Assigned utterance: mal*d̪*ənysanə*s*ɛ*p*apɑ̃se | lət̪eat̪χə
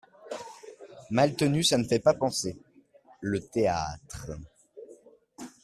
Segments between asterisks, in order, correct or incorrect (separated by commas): incorrect, incorrect, correct